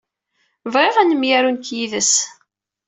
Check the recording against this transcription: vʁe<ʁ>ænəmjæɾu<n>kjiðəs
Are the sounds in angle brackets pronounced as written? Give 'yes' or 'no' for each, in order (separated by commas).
yes, yes